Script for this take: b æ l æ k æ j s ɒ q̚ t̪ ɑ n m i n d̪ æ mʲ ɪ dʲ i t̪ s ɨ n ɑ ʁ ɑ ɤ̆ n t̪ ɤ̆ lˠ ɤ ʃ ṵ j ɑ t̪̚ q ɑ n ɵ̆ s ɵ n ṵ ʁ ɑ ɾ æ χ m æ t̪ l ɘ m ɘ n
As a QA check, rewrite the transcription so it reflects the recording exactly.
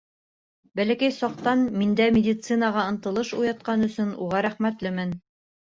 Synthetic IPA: b æ l æ k æ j s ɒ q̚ t̪ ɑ n m i n d̪ æ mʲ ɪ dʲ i t̪ s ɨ n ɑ ʁ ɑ ɤ̆ n t̪ ɤ̆ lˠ ɤ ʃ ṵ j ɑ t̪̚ q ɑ n ɵ̆ s ɵ n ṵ ʁ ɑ ɾ æ χ m æ t̪ l ɘ m ɘ n